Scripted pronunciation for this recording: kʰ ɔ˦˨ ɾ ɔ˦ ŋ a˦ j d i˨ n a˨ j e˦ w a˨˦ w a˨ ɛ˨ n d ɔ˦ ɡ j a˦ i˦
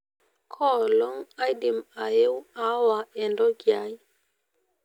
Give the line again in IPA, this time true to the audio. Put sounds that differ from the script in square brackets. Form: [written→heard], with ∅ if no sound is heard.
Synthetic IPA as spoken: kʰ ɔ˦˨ [ɾ→l] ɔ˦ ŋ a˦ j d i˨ [n→m] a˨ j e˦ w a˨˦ w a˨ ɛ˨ n d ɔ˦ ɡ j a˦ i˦